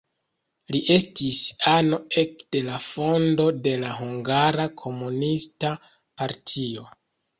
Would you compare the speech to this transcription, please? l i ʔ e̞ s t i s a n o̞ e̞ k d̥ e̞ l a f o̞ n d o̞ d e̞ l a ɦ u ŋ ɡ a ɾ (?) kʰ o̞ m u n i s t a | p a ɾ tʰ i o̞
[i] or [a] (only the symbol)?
a